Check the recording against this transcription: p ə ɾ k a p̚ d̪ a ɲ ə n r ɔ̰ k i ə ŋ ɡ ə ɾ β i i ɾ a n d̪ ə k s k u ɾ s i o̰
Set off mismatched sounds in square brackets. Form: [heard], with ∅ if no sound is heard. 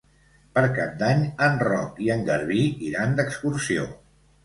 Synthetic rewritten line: p ə ɾ k a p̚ d̪ a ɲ ə n r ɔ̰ k i ə ŋ ɡ ə ɾ β i i ɾ a n d̪ ə k s k u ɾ s i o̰